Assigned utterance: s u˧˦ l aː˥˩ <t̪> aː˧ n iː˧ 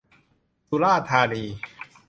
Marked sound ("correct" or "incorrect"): incorrect